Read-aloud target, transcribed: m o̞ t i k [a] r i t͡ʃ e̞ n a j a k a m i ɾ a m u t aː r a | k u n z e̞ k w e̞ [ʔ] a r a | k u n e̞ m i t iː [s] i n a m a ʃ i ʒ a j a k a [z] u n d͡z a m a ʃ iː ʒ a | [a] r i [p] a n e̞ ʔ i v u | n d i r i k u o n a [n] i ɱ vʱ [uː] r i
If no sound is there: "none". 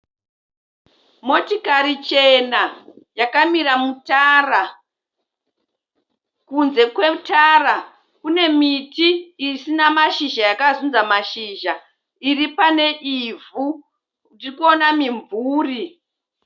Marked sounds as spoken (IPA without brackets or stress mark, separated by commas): a, t, s, z, i, p, m, uː